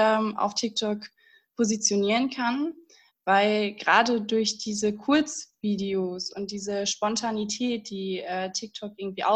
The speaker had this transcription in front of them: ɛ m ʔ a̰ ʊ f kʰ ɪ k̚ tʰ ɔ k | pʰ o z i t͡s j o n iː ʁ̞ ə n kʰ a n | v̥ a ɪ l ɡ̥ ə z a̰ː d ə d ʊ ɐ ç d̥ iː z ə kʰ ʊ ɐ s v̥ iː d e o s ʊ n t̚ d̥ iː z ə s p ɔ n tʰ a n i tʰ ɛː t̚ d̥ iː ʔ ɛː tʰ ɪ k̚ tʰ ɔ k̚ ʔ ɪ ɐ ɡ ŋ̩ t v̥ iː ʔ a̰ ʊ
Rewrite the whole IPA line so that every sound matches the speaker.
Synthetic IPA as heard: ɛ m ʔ a̰ ʊ f tʰ ɪ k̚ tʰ ɔ k | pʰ o z i t͡s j o n iː ʁ̞ ə n kʰ a n | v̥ a ɪ l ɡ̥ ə ʁ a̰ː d ə d ʊ ɐ ç d̥ iː z ə kʰ ʊ ɐ t͡s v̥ iː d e o s ʊ n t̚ d̥ iː z ə ʃ p ɔ n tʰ a n i tʰ ɛː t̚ d̥ iː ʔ ɛː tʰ ɪ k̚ tʰ ɔ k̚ ʔ ɪ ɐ ɡ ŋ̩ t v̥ iː ʔ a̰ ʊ